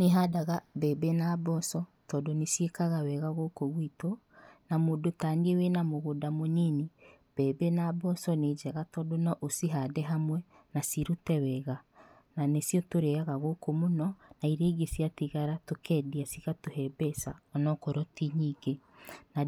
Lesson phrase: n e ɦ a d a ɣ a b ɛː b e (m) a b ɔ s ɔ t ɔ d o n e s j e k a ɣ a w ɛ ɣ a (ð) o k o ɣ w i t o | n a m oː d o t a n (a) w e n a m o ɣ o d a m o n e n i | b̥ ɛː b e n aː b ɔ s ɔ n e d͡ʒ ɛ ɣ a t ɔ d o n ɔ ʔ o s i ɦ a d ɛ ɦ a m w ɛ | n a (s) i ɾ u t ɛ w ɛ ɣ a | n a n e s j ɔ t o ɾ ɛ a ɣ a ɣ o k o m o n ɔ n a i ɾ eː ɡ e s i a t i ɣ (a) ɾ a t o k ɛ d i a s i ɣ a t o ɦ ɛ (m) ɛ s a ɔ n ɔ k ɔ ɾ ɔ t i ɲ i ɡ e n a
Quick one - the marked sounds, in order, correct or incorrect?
incorrect: n, incorrect: ɣ, incorrect: e, correct, correct, incorrect: b

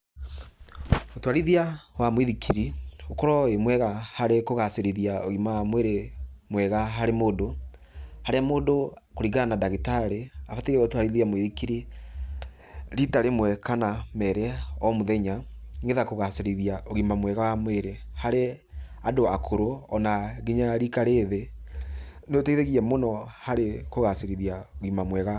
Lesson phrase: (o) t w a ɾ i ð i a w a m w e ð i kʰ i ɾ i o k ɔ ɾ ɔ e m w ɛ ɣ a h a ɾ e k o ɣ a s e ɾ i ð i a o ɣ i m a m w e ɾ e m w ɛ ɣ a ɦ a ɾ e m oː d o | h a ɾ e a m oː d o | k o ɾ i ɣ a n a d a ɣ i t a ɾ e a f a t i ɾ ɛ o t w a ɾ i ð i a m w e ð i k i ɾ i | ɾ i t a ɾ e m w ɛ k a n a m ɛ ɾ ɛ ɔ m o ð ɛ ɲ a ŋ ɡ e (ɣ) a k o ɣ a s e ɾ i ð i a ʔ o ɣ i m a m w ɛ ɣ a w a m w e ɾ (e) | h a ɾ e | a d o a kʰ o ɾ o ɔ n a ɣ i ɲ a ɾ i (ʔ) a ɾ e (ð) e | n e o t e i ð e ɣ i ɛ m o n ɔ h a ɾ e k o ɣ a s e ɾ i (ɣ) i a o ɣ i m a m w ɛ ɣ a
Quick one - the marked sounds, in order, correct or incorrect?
correct, incorrect: ð, correct, incorrect: k, correct, incorrect: ð

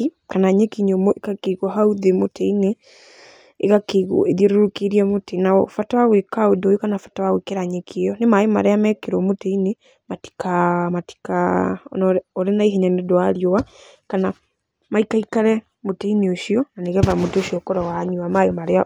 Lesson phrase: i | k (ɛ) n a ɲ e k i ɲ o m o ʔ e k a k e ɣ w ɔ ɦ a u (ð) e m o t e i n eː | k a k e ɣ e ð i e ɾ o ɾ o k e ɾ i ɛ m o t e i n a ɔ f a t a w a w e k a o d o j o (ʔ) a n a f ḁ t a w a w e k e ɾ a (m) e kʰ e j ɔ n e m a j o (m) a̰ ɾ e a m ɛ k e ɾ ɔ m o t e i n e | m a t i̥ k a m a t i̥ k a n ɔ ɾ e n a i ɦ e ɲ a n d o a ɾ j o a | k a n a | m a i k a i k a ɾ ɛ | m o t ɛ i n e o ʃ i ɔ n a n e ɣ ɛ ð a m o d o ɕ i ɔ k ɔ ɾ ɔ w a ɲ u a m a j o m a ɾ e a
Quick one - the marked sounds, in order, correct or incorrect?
incorrect: a, correct, incorrect: k, incorrect: ɲ, correct

